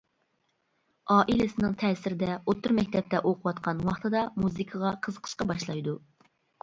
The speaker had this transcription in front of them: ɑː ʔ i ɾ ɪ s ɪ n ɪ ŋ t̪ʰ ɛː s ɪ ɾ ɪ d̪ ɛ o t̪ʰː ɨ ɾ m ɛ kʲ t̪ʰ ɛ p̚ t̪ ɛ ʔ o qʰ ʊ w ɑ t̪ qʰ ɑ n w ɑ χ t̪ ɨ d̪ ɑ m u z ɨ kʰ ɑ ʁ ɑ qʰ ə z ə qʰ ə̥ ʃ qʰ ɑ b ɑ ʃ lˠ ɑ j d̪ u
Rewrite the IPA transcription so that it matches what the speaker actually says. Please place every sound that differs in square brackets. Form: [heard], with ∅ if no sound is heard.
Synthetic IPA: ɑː ʔ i [l] ɪ s ɪ n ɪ ŋ t̪ʰ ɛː s ɪ ɾ ɪ d̪ ɛ o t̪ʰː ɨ ɾ m ɛ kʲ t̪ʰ ɛ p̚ t̪ ɛ ʔ o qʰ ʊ w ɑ t̪ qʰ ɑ n w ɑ χ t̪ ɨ d̪ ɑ m u z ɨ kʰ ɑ ʁ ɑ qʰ ə z ə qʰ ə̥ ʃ [q] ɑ b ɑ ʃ lˠ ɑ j d̪ u